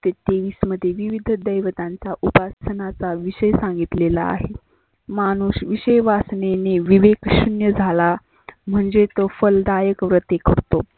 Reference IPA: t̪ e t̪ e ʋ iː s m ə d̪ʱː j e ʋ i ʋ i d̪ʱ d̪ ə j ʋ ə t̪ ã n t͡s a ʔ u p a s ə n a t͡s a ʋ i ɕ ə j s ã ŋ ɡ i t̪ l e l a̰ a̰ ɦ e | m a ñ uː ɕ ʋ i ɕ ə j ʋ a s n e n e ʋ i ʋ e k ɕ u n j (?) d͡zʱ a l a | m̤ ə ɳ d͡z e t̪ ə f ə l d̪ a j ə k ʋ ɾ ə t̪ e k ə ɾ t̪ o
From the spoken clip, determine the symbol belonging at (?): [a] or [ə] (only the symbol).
ə